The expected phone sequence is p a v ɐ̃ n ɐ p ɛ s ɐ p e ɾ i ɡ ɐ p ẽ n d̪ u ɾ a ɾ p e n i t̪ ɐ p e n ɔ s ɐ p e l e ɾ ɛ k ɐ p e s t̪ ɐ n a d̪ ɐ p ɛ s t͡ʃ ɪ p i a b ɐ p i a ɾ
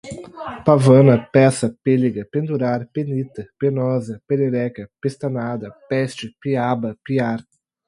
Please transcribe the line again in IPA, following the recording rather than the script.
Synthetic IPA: p a v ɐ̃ n ɐ p ɛ s ɐ p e l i ɡ ɐ p ẽ n d̪ u ɾ a ɾ p e n i t̪ ɐ p e n ɔ z ɐ p e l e ɾ ɛ k ɐ p e s t̪ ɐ n a d̪ ɐ p ɛ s t͡ʃ ɪ p i a b ɐ p i a ɾ